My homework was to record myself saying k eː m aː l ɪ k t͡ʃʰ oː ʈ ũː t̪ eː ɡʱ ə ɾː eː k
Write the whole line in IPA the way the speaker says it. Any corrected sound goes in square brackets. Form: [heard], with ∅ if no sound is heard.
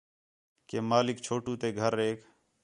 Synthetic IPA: k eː m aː l ɪ k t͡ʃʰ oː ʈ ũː t̪ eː ɡʱ ə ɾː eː k